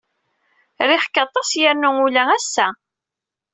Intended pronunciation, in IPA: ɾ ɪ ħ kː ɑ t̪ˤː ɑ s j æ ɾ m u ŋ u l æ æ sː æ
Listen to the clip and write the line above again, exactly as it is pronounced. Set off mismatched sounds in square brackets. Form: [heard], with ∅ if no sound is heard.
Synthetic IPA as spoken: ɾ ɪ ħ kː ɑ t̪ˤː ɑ s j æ ɾ [n] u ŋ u l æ æ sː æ